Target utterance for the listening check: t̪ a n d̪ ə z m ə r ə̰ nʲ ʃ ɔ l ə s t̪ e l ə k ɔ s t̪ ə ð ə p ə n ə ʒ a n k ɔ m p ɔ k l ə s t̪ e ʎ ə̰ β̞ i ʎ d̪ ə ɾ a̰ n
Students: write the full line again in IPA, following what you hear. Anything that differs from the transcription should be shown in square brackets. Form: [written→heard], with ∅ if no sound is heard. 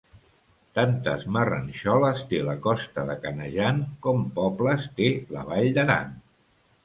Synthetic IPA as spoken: t̪ a n [d̪→t̪] ə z m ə r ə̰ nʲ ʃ ɔ l ə s t̪ e l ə k ɔ s t̪ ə ð ə [p→k] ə n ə ʒ a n k ɔ m p ɔ [k→p] l ə s t̪ e [ʎ→l] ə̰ β̞ [i→a] ʎ d̪ ə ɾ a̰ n